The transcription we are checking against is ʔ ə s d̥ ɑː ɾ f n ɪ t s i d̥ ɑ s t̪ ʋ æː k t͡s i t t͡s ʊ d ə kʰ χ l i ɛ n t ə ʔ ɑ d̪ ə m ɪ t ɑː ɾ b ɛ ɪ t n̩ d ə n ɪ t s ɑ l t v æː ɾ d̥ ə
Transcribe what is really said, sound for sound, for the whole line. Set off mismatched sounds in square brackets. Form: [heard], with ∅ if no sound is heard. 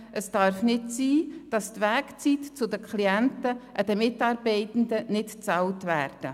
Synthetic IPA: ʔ ə s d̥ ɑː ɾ f n ɪ t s [iː] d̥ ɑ s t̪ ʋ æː k t͡s i t t͡s ʊ d ə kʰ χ l i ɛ n t ə ʔ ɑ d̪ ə m ɪ t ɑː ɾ b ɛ ɪ t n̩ d ə n ɪ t [t͡s] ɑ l t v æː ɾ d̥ ə